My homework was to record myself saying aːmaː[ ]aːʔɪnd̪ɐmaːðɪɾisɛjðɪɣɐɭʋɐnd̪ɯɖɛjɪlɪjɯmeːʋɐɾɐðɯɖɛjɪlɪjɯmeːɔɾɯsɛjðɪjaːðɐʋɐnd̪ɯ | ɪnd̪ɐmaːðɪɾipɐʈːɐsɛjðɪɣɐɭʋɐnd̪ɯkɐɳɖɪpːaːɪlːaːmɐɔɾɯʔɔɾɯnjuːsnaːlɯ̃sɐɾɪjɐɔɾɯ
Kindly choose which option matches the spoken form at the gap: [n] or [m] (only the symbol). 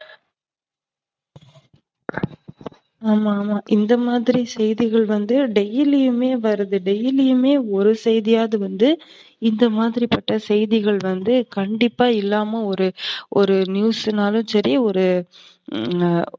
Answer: m